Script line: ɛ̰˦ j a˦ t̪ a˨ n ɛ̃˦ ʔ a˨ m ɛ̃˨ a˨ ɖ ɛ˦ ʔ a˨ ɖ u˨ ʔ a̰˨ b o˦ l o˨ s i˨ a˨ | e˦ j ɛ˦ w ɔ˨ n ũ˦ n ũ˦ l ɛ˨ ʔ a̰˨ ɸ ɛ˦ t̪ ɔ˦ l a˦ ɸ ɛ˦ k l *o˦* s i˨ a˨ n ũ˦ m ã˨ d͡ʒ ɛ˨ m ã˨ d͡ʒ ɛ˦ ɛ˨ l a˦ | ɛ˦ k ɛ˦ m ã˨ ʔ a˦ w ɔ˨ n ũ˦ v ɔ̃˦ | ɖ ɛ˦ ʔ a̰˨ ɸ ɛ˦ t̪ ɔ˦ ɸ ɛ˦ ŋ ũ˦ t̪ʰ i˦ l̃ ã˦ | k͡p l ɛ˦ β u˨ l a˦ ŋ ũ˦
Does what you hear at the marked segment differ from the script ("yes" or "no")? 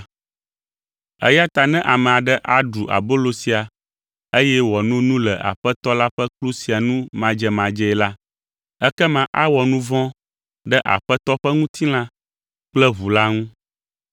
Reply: yes